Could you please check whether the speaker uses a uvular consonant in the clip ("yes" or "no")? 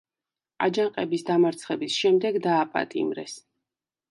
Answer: yes